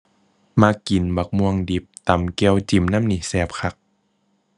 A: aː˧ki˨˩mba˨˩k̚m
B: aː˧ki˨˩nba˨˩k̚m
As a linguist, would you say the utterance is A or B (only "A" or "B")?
B